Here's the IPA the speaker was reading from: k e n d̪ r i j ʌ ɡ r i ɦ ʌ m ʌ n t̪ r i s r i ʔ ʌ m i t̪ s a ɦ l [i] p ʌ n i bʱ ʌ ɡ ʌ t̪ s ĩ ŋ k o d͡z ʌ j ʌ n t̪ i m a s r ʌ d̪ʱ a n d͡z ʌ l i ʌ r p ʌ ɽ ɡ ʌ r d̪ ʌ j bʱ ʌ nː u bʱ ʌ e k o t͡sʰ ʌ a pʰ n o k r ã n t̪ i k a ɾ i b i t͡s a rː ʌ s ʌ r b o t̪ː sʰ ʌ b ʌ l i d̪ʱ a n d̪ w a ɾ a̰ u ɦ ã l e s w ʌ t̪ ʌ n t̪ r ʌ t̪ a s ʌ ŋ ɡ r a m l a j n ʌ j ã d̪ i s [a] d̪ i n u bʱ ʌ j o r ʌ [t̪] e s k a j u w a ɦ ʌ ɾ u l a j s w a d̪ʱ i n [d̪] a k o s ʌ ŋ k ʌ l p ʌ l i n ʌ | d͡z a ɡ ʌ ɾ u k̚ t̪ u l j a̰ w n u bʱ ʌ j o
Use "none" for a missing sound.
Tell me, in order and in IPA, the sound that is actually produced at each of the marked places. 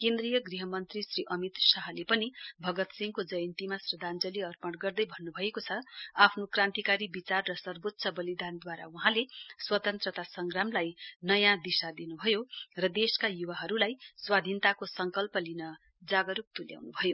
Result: e, a, d̪, t̪

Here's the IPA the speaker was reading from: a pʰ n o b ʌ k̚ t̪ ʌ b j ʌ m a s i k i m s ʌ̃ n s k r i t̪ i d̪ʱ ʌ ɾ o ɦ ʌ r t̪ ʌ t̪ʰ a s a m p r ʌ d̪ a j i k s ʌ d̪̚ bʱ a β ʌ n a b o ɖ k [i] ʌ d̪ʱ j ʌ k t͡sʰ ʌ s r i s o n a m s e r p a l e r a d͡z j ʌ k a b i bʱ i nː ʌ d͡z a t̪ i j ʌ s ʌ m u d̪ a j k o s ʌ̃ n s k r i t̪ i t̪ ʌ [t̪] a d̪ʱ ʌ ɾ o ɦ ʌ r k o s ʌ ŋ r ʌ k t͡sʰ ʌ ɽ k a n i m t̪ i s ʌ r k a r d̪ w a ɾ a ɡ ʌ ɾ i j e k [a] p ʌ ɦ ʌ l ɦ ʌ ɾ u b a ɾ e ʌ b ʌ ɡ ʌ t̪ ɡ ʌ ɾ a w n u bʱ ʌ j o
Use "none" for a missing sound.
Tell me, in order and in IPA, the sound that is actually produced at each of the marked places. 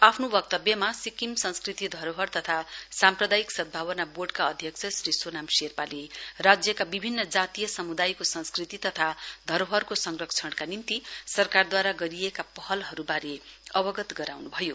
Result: a, t̪ʰ, a

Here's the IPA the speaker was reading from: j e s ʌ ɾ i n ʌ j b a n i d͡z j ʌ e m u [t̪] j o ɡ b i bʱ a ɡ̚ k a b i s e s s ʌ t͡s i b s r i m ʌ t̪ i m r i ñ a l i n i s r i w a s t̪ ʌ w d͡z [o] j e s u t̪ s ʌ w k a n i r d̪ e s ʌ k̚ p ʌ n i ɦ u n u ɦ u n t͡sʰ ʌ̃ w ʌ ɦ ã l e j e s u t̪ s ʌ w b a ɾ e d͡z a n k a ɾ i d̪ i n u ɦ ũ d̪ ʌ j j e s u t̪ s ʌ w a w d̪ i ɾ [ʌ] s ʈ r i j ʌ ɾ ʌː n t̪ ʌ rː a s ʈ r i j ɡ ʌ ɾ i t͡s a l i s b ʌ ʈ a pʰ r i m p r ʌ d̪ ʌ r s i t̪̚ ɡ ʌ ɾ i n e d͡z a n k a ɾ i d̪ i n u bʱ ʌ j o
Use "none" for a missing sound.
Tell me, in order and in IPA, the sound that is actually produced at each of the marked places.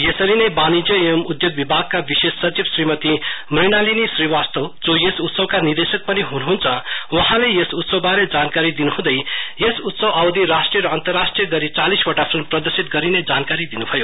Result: d̪, o, a

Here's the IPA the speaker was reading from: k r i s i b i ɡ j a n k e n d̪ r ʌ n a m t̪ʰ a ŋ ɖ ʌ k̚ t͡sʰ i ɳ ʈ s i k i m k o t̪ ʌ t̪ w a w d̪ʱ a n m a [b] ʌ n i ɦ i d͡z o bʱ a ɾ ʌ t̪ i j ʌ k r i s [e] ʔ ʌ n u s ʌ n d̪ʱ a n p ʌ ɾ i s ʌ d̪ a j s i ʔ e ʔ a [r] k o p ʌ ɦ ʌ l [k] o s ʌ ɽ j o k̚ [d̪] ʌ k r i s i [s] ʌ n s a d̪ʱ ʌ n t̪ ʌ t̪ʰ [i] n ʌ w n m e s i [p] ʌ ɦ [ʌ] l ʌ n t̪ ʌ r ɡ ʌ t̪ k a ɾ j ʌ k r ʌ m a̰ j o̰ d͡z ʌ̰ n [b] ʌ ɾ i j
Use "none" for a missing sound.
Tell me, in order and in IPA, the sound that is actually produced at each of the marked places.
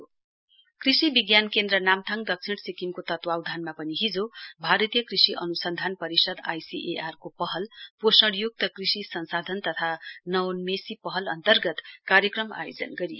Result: p, i, r, p, t̪, s, a, p, ʌ, ɡ

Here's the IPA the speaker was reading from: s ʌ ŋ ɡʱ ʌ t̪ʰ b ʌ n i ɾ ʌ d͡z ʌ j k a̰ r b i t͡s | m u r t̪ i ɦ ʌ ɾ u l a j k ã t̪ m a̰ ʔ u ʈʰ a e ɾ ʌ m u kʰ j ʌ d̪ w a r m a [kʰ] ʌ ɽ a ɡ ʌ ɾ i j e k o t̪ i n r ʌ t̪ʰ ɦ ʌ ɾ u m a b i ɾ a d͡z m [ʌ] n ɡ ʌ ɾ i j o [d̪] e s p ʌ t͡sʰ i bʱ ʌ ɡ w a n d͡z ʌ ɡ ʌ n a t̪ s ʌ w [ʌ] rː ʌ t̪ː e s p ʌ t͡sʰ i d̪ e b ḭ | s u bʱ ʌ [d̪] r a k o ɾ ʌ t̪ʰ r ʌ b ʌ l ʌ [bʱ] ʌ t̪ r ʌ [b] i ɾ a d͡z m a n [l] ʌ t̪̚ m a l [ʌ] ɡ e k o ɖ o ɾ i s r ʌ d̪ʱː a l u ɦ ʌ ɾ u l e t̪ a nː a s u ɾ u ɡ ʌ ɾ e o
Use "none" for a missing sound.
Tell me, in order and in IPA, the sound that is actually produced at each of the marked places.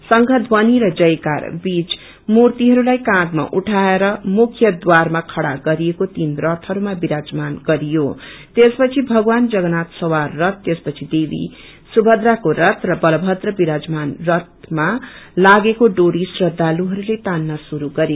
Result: kʰ, a, t̪, a, d̪, bʱ, b, r, a

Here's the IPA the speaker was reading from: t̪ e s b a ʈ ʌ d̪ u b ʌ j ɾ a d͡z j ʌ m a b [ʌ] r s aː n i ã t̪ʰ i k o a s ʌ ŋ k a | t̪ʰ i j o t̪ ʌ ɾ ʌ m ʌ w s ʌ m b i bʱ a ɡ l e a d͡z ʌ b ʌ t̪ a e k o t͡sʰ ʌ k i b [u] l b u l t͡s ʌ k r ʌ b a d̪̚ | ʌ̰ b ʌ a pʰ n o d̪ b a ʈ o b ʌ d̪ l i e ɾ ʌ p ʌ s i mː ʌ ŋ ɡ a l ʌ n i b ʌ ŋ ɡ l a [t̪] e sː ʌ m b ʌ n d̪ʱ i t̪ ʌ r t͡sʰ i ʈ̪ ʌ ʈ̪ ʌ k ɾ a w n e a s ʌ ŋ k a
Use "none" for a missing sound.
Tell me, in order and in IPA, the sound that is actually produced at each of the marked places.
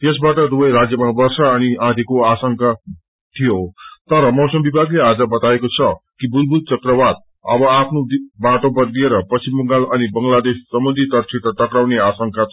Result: ʌ, u, d̪

